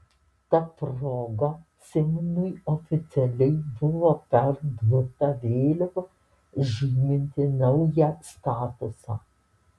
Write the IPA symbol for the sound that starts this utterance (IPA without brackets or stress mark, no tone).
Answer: t̪